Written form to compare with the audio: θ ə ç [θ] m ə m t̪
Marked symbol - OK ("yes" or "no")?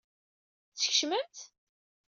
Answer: no